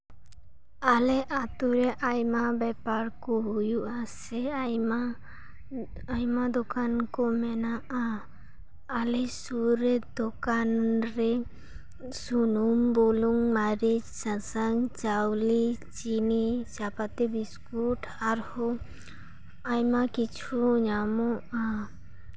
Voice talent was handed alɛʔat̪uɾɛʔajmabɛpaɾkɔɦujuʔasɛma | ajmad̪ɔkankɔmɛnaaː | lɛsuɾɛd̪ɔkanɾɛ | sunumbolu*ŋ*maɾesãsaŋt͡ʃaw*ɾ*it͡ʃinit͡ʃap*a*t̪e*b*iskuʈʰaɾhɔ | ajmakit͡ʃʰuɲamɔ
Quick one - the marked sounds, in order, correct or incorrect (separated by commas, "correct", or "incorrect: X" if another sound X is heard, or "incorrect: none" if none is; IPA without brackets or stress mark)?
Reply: correct, incorrect: l, correct, correct